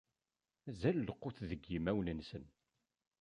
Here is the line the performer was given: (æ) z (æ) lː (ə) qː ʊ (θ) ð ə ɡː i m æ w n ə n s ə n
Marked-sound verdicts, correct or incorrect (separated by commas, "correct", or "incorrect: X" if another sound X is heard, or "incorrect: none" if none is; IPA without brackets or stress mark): correct, correct, correct, correct